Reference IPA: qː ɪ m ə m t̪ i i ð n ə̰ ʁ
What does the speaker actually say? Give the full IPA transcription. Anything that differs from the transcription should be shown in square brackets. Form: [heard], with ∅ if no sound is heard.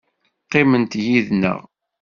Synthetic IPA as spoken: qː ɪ m ə [n] t̪ [j] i ð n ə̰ ʁ